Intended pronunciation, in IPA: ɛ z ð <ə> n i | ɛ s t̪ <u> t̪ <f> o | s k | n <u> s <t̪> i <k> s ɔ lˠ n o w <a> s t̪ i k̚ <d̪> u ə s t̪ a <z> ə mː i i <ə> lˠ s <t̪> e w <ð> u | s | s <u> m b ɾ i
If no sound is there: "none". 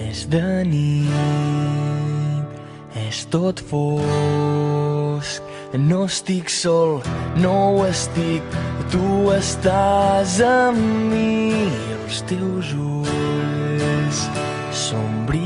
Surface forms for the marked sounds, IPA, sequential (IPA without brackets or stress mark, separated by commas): ə, o, f, o, t̪, k, ə, t̪, z, ə, t̪, z, o